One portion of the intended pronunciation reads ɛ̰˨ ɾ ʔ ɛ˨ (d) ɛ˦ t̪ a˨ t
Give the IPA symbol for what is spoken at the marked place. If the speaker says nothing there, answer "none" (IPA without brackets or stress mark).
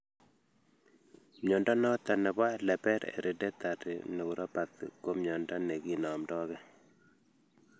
d